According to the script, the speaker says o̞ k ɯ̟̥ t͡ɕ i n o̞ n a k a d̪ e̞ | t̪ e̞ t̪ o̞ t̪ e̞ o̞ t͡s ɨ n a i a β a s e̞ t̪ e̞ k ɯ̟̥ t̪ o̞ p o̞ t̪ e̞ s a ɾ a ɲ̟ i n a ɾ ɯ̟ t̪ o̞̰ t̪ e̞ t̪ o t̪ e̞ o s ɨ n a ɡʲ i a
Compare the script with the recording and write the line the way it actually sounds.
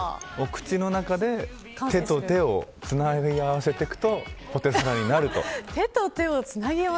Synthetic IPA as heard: o̞ k ɯ̟̥ t͡ɕ i n o̞ n a k a d̪ e̞ | t̪ e̞ t̪ o̞ t̪ e̞ o̞ t͡s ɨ n a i a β a s e̞ t̪ e̞ k ɯ̟̥ t̪ o̞ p o̞ t̪ e̞ s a ɾ a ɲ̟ i n a ɾ ɯ̟ t̪ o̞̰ t̪ e̞ t̪ o t̪ e̞ o t͡s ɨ n a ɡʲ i a